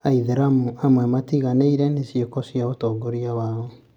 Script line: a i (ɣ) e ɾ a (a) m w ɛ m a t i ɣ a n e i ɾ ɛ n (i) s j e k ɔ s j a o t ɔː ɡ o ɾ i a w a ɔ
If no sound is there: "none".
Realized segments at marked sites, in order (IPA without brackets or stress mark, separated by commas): ð, a, e